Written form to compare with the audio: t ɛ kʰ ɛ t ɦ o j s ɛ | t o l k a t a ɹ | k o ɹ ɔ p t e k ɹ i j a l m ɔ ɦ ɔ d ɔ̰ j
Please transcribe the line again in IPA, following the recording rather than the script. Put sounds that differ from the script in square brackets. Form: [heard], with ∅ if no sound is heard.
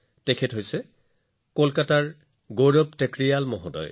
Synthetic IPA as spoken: t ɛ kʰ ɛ t ɦ o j s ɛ | [k] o l k a t a ɹ | [ɡ] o ɹ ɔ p t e k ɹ i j a l m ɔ ɦ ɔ d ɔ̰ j

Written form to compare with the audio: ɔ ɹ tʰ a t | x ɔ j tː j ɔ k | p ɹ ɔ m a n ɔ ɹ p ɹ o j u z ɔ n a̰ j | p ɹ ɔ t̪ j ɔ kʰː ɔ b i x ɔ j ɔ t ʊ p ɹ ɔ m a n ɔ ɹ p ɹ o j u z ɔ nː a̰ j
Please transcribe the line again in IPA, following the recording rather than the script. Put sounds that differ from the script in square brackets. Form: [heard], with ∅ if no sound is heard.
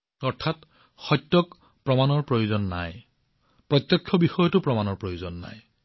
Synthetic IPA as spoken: ɔ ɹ tʰ a t | x ɔ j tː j ɔ k | p ɹ ɔ m a n ɔ ɹ p ɹ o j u z ɔ [nː] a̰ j | p ɹ ɔ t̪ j ɔ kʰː ɔ b i x ɔ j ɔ t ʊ p ɹ ɔ m a n ɔ ɹ p ɹ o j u z ɔ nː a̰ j

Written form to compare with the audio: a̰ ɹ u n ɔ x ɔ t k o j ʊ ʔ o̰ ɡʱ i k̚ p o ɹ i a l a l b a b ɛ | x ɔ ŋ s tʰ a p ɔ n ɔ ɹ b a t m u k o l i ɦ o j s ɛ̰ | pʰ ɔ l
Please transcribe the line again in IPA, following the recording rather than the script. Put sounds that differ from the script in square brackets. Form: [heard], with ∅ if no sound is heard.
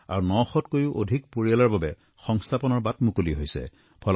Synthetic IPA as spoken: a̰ ɹ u n ɔ x ɔ t k o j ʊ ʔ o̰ [dʱ] i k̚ p o ɹ i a l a [ɹ] b a b ɛ | x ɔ ŋ s tʰ a p ɔ n ɔ ɹ b a t m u k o l i ɦ o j s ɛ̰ | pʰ ɔ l

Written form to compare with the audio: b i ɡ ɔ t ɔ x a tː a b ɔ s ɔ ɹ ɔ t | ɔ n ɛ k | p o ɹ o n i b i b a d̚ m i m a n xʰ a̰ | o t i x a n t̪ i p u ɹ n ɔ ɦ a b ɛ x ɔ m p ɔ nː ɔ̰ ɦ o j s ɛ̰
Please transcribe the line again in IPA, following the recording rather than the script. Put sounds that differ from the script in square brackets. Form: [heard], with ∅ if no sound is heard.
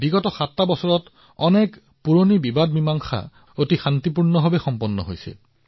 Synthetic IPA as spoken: b i ɡ ɔ t ɔ x a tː a b ɔ s ɔ ɹ ɔ t | ɔ n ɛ k | p [u] ɹ o n i b i b a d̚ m i m a [ŋ] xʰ a̰ | o t i x a n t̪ i p u ɹ n ɔ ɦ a b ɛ x ɔ m p ɔ nː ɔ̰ ɦ o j s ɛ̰

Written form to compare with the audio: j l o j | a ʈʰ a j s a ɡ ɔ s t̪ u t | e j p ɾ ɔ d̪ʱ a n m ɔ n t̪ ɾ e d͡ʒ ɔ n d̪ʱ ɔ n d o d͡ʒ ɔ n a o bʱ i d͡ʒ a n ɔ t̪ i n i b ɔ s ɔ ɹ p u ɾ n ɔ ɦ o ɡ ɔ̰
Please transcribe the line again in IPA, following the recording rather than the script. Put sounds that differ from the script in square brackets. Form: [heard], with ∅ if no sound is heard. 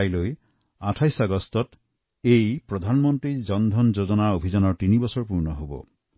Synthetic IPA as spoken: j l o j | a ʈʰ a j s a ɡ ɔ s t̪ [ɔ] t | e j p ɾ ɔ d̪ʱ a n m ɔ n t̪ ɾ [i] d͡ʒ ɔ n d̪ʱ ɔ n [d͡ʒ] o d͡ʒ ɔ n a o bʱ i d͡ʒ a n ɔ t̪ i n i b ɔ s ɔ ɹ p u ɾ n ɔ ɦ o [b] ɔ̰

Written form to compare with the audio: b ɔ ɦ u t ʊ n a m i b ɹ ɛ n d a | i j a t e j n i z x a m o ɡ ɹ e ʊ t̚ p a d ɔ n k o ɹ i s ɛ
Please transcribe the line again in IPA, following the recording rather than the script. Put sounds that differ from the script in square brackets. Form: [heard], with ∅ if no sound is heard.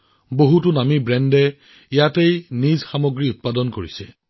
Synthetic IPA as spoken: b [o] ɦ u t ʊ n a m i b ɹ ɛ n d [ɛ] | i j a t e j n i z x a m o ɡ ɹ [i] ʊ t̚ p a d ɔ n k o ɹ i s ɛ

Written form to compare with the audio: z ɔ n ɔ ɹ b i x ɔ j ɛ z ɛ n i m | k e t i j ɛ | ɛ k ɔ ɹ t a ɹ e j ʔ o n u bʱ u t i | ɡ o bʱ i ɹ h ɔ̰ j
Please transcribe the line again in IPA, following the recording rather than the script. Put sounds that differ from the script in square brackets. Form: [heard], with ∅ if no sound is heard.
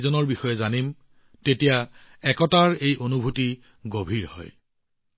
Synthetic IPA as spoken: z ɔ n ɔ ɹ b i x ɔ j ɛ z [a] n i m | [t] e t i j [a] | ɛ k ɔ [∅] t a ɹ e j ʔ o n u bʱ u t i | ɡ o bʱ i ɹ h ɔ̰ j

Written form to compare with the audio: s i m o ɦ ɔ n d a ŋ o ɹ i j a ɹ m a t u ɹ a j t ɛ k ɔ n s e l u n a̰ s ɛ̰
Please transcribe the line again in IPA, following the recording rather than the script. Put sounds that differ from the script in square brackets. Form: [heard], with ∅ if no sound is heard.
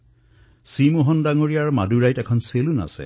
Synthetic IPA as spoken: s i m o ɦ ɔ n d a ŋ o ɹ i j a ɹ m a [d] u ɹ a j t ɛ [kʰ] ɔ n s e l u n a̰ s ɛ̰

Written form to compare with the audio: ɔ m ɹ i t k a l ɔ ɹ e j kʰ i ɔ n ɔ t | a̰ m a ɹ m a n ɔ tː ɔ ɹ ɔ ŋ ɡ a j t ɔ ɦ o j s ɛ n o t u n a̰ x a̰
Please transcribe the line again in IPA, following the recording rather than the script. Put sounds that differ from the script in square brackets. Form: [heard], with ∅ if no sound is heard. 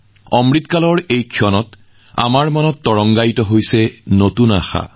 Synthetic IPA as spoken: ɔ m ɹ i t k a l ɔ ɹ e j kʰ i ɔ n ɔ t | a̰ m a ɹ m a n ɔ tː ɔ ɹ ɔ ŋ ɡ a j t ɔ ɦ o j s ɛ n o t u n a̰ x a̰

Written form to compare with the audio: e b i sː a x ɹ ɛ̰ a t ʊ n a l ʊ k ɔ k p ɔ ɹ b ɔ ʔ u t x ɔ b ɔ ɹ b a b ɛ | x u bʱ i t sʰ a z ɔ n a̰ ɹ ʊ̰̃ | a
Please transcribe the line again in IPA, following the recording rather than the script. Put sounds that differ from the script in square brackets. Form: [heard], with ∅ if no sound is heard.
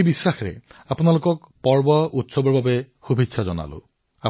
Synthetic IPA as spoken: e b i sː a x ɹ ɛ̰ a [p] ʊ n a l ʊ k ɔ k p ɔ ɹ b ɔ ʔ u t [s] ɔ b ɔ ɹ b a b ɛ | x u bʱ i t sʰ a z ɔ n a̰ [l] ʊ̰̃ | a

